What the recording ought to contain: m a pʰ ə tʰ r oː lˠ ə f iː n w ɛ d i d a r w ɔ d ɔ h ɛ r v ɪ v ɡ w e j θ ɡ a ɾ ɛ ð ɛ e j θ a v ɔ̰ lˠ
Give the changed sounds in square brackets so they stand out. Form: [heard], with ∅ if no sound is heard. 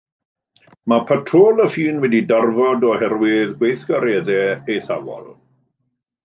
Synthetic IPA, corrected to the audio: m a pʰ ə tʰ r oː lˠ ə f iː n w ɛ d i d a r [v] ɔ d ɔ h ɛ r [w] ɪ [ð] ɡ w e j θ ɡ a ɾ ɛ ð ɛ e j θ a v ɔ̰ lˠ